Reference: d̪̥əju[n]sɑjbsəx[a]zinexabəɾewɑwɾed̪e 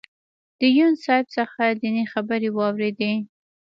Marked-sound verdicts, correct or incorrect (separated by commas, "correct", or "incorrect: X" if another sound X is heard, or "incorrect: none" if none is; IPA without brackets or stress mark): correct, correct